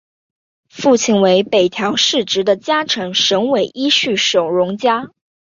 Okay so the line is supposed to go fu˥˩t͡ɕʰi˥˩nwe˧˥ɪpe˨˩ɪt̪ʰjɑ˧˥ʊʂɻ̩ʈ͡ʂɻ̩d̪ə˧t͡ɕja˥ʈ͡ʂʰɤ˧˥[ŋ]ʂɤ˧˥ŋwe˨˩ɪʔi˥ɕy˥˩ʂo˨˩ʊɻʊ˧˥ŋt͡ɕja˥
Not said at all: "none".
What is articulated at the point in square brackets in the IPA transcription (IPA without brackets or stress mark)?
ŋ